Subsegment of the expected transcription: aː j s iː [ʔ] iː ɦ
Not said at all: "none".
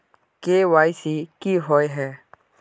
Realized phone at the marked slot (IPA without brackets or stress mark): k